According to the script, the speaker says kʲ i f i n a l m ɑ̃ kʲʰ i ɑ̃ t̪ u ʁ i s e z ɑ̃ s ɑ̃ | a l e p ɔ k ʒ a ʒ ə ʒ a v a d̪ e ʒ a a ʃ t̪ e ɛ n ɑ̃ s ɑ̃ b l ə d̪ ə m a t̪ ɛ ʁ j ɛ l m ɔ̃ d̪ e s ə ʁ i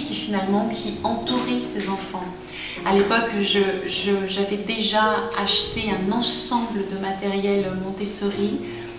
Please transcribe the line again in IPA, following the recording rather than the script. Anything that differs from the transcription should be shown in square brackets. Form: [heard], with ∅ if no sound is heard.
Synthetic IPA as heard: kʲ i f i n a l m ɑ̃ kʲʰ i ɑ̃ t̪ u ʁ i s e z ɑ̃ [f] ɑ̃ | a l e p ɔ k ʒ [ə] ʒ ə ʒ a v [ɛ] d̪ e ʒ a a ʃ t̪ e [ɛ̃] n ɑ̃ s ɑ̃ b l ə d̪ ə m a t̪ ɛ ʁ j ɛ l m ɔ̃ [t̪] e s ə ʁ i